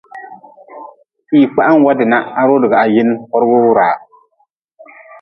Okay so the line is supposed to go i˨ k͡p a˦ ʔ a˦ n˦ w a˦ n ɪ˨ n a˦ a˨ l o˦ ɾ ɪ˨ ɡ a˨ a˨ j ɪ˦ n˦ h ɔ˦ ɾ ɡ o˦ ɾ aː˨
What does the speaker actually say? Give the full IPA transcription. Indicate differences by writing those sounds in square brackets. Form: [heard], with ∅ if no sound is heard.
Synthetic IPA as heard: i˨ k͡p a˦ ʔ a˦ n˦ w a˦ [d] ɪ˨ n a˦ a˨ [ɾ] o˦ [l] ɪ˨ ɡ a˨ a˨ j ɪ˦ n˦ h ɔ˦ ɾ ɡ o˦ ɾ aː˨